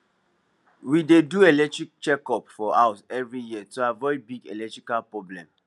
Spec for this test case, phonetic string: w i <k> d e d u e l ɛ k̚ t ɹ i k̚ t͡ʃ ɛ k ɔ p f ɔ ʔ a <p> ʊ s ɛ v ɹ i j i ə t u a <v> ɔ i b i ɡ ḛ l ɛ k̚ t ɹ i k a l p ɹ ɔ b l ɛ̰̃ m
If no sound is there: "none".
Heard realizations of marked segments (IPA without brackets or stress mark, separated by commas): none, none, v